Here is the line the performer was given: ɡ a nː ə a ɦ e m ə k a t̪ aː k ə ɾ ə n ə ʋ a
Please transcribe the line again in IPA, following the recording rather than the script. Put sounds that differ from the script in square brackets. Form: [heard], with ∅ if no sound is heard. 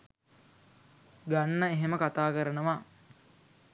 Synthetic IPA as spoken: ɡ a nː ə [e] ɦ e m ə k a t̪ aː k ə ɾ ə n ə ʋ a